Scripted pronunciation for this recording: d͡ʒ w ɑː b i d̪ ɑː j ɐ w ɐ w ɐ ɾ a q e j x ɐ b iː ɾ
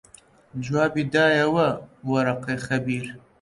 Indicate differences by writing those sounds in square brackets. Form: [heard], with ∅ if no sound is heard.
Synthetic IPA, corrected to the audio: d͡ʒ w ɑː b i d̪ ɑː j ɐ w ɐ w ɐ ɾ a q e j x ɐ b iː ɾ

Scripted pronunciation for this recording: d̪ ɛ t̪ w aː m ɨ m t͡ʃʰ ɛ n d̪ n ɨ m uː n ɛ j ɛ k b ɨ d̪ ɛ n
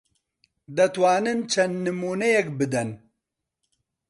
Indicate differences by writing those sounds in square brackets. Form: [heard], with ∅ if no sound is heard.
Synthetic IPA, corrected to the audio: d̪ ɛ t̪ w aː [n] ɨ [n] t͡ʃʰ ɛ n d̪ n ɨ m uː n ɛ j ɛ k b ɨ d̪ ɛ n

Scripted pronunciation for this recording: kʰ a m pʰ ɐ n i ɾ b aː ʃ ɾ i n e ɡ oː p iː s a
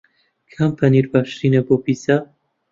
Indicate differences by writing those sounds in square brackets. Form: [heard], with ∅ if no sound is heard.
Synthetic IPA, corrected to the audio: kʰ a m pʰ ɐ n i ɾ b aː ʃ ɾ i n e [b] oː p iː s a

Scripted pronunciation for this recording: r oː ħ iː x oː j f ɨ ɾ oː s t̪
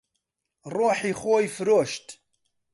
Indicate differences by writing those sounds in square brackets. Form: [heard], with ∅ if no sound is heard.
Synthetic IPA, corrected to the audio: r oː ħ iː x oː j f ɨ ɾ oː [ʃ] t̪

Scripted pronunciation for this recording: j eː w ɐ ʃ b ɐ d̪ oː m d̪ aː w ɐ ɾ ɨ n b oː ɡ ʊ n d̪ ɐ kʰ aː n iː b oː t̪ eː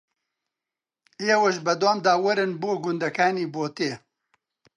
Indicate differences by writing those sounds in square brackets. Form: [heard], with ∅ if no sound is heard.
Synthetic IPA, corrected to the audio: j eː w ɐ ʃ b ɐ d̪ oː m d̪ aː w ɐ ɾ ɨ n b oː ɡ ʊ n d̪ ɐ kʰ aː n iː b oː t̪ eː

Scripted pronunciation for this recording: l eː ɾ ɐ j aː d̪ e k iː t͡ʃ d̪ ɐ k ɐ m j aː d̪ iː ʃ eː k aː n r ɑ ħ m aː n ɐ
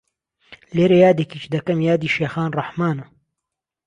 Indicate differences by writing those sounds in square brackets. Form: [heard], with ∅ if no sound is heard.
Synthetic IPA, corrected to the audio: l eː ɾ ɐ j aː d̪ e k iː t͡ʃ d̪ ɐ k ɐ m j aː d̪ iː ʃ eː [x] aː n r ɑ ħ m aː n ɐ

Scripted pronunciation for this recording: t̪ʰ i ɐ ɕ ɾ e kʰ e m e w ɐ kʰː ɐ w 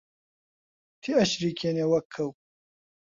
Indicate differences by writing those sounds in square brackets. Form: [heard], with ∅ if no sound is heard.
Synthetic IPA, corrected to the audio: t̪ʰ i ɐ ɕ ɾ [i] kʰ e [n] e w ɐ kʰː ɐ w

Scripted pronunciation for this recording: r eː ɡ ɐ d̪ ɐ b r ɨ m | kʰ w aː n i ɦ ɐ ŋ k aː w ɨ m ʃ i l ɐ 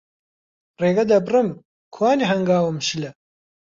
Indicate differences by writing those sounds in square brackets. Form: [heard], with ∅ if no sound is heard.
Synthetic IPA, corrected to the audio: r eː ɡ ɐ d̪ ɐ b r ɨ m | kʰ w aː n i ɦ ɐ ŋ [ɡ] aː w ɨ m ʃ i l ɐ

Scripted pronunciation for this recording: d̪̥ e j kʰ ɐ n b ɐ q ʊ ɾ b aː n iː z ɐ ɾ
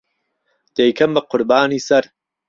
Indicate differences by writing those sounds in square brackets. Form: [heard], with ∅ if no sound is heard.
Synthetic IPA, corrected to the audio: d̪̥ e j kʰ ɐ [m] b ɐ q ʊ ɾ b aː n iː [s] ɐ ɾ

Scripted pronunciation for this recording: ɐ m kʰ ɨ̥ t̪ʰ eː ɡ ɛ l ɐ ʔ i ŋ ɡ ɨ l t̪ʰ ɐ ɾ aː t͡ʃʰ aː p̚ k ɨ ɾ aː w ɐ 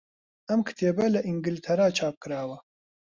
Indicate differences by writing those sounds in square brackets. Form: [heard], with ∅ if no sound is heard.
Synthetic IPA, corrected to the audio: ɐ m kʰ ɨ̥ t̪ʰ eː [b] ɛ l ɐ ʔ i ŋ ɡ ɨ l t̪ʰ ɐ ɾ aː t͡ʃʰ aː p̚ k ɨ ɾ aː w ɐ

